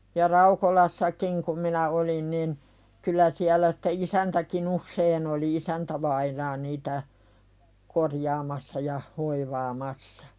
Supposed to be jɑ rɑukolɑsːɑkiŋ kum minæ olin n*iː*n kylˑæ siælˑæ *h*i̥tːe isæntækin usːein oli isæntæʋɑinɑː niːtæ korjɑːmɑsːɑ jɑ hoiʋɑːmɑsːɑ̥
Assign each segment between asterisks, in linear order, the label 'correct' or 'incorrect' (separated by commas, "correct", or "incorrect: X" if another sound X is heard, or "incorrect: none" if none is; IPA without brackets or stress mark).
incorrect: i, incorrect: s